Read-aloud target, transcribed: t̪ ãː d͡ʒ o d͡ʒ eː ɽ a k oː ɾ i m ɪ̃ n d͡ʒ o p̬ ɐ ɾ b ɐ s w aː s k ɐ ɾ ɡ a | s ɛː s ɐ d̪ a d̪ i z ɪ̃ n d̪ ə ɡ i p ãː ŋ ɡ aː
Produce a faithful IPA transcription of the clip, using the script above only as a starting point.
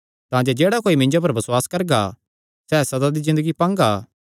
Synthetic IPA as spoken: t̪ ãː d͡ʒ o d͡ʒ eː ɽ a k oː i m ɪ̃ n d͡ʒ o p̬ ɐ ɾ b ɐ s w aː s k ɐ ɾ ɡ a | s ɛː s ɐ d̪ a d̪ i z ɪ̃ n d̪ ə ɡ i p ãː ŋ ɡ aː